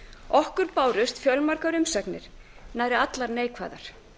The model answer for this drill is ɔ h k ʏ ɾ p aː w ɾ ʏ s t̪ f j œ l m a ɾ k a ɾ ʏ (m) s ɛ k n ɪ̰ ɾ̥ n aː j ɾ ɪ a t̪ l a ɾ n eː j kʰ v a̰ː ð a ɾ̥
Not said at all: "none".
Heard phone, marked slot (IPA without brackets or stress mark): m